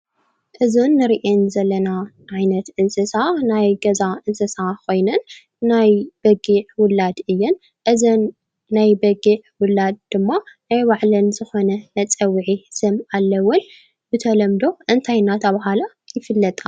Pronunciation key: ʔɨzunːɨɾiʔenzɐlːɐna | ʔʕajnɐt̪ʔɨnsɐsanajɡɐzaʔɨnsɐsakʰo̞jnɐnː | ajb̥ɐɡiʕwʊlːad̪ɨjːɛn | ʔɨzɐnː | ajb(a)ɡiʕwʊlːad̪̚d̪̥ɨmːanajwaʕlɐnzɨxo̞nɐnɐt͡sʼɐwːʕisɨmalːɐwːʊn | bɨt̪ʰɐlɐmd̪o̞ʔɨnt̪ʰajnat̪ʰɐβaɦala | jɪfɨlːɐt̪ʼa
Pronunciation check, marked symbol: incorrect: ɐ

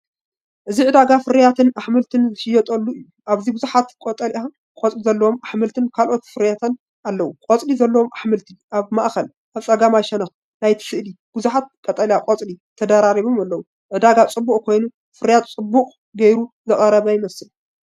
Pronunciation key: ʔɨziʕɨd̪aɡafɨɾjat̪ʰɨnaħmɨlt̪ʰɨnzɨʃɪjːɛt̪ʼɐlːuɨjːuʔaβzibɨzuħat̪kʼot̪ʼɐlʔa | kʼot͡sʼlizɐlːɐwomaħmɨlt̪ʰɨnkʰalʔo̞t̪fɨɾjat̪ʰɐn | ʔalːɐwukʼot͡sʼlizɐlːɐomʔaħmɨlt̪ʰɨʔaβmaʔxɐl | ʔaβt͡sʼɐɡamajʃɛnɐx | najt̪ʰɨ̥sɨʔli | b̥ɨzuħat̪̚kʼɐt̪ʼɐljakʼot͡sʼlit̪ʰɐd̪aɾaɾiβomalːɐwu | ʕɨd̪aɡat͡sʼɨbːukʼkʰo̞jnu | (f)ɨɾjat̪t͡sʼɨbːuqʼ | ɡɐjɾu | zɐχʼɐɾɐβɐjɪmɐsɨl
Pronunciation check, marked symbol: correct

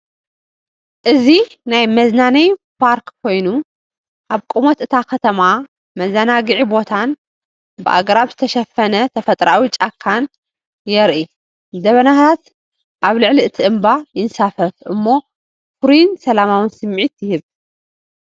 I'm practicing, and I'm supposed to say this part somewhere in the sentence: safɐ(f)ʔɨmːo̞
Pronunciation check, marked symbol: correct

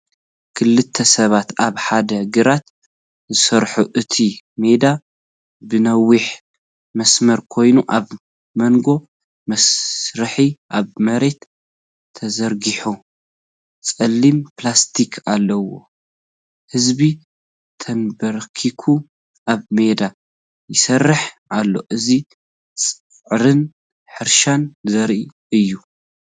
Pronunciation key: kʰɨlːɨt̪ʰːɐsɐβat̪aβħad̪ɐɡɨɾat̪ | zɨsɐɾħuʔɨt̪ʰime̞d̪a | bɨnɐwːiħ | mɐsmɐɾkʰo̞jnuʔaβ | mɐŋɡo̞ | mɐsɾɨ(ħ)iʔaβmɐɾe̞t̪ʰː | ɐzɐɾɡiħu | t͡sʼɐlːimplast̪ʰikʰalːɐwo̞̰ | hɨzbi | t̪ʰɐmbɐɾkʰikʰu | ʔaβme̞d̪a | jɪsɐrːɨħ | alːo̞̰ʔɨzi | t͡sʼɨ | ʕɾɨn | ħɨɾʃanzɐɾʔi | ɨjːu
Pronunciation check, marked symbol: correct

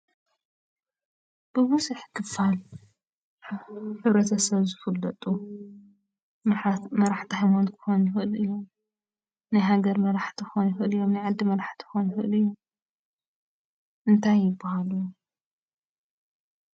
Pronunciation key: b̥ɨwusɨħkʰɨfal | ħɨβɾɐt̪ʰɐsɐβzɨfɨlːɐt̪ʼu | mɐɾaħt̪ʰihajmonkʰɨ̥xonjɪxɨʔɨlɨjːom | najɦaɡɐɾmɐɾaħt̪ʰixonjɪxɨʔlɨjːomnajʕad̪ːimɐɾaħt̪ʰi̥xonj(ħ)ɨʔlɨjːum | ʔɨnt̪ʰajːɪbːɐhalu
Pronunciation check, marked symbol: incorrect: x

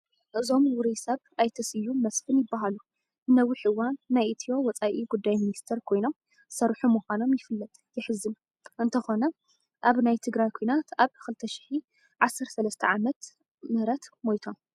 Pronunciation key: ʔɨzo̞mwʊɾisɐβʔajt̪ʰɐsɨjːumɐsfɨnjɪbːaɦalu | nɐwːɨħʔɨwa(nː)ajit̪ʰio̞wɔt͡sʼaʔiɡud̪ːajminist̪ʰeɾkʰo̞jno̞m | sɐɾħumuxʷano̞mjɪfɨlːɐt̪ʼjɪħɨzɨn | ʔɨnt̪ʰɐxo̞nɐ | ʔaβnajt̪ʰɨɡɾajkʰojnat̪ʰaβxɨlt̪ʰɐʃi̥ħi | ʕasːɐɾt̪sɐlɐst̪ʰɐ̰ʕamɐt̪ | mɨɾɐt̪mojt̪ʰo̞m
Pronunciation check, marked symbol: correct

